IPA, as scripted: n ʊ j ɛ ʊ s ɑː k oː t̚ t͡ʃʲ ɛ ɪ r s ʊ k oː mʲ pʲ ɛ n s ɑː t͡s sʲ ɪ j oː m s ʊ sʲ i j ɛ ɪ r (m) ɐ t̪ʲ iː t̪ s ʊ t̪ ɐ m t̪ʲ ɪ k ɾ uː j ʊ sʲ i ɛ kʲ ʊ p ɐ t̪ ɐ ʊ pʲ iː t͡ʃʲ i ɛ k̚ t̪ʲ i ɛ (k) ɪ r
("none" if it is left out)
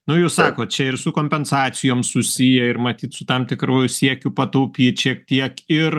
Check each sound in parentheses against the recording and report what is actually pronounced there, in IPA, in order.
m, k

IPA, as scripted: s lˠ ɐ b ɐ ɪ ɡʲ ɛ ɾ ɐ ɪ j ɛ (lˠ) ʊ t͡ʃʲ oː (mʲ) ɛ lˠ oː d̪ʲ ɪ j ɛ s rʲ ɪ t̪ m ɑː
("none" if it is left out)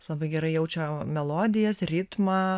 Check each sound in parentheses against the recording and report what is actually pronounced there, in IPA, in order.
none, mʲ

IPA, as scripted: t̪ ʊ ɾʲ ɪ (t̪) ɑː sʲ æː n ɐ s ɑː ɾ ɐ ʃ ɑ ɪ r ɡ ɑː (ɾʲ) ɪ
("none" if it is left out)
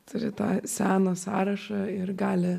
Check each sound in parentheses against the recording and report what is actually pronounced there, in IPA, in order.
t̪, lʲ

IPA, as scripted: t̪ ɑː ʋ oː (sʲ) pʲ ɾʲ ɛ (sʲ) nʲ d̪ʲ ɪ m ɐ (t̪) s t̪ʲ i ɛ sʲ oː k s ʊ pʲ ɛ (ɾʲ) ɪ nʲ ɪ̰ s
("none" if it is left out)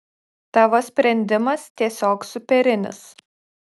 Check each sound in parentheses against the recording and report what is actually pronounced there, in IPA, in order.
sʲ, none, none, ɾʲ

